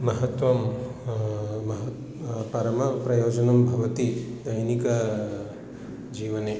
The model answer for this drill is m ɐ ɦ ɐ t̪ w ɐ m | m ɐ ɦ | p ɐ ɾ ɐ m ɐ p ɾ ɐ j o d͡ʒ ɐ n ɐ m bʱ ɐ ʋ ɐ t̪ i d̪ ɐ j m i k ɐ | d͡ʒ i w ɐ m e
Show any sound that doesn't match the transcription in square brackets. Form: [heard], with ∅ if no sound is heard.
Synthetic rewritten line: m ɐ ɦ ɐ t̪ w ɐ m | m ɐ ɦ | p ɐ ɾ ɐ m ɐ p ɾ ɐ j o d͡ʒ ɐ n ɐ m bʱ ɐ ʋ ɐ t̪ i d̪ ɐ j [n] i k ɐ | d͡ʒ i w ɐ [n] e

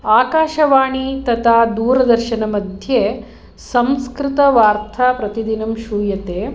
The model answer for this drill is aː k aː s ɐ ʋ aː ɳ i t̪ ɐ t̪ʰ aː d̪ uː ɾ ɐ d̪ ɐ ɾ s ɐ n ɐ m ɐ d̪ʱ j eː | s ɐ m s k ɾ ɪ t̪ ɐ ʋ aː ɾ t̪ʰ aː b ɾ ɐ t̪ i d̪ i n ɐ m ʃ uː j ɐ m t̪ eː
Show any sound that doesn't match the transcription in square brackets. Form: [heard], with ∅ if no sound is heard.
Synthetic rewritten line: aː k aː [ʃ] ɐ ʋ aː ɳ i t̪ ɐ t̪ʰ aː d̪ uː ɾ ɐ d̪ ɐ ɾ [ʃ] ɐ n ɐ m ɐ d̪ʱ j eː | s ɐ m s k ɾ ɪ t̪ ɐ ʋ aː ɾ t̪ʰ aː [p] ɾ ɐ t̪ i d̪ i n ɐ m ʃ uː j ɐ [∅] t̪ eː

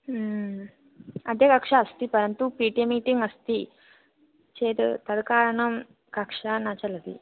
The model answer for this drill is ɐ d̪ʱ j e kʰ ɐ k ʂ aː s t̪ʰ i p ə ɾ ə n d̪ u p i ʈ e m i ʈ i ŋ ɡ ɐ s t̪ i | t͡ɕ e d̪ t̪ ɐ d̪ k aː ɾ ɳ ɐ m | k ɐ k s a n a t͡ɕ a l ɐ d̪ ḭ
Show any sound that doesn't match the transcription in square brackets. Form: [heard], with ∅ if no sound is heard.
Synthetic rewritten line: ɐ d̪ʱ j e [k] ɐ k ʂ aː s [t̪] i p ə ɾ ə n [t̪] u p i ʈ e m i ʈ i ŋ ɡ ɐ s t̪ i | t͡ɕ e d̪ t̪ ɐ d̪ k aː ɾ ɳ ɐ m | k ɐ k [ʂ] a n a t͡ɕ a l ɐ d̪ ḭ

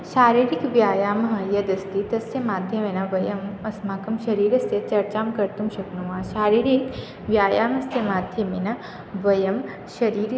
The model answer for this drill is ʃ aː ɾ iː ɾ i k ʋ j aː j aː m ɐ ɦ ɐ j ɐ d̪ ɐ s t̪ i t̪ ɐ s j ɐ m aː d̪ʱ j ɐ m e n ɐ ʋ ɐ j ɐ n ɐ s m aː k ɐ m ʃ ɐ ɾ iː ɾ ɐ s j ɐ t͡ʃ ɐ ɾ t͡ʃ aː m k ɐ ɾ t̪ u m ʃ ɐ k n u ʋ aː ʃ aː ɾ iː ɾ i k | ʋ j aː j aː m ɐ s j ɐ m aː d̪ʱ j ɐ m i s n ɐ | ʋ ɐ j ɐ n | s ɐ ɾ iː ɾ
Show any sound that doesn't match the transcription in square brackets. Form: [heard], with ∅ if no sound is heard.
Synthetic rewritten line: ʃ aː ɾ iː ɾ i k ʋ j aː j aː m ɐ ɦ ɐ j ɐ d̪ ɐ s t̪ i t̪ ɐ s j ɐ m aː d̪ʱ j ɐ m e n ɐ ʋ ɐ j ɐ [m] ɐ s m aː k ɐ m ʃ ɐ ɾ iː ɾ ɐ s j ɐ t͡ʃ ɐ ɾ t͡ʃ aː m k ɐ ɾ t̪ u m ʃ ɐ k n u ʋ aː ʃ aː ɾ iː ɾ i k | ʋ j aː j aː m ɐ s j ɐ m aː d̪ʱ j ɐ m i [∅] n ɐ | ʋ ɐ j ɐ [m] | [ʃ] ɐ ɾ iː ɾ

